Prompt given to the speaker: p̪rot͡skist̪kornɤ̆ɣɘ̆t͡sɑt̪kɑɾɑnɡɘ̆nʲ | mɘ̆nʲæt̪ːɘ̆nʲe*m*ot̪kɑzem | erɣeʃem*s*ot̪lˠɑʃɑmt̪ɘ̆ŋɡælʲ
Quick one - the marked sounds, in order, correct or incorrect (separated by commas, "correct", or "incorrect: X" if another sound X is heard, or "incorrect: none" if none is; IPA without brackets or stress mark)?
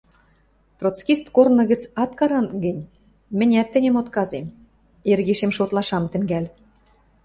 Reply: correct, incorrect: ʃ